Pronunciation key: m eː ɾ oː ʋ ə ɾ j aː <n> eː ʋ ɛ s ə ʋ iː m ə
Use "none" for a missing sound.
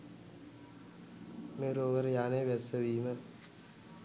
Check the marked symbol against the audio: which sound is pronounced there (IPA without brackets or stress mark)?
n